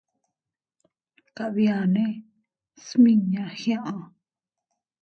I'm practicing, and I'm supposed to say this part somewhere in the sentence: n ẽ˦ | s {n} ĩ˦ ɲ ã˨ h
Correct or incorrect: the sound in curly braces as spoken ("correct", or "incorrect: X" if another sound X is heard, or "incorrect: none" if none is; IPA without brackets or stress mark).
incorrect: m